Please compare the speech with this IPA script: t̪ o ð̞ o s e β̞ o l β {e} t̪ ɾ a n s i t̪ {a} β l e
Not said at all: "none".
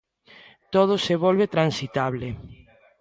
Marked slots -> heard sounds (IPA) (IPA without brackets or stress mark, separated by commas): e, a